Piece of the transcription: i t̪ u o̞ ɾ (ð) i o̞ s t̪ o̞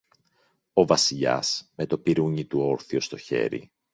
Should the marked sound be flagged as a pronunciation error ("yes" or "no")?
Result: yes